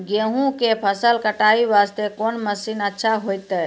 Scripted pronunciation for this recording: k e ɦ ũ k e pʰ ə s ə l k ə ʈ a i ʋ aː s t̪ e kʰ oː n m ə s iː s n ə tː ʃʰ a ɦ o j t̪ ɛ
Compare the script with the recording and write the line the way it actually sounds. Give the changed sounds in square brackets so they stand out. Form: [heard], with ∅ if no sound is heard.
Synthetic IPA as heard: [ɡ] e ɦ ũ k e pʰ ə s ə l k ə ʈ a i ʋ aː s t̪ e [k] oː n m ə s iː [∅] n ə tː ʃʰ a ɦ o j t̪ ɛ